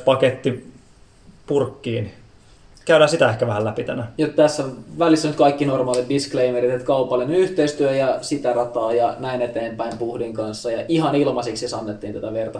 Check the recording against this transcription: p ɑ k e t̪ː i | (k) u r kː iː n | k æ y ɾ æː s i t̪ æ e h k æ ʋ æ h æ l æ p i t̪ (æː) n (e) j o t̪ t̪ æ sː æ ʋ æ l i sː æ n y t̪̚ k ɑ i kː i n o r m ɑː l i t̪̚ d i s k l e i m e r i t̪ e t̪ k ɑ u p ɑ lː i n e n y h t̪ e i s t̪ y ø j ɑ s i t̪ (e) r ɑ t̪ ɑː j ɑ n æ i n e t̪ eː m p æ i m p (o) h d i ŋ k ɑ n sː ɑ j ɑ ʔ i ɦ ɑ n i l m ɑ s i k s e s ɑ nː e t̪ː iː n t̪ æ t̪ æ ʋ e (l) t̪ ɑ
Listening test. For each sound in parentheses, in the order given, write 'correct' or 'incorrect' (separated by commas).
incorrect, incorrect, incorrect, incorrect, incorrect, incorrect